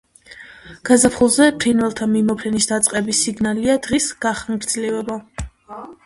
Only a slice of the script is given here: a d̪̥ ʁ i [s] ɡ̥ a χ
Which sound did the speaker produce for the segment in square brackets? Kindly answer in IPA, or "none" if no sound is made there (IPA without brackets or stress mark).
s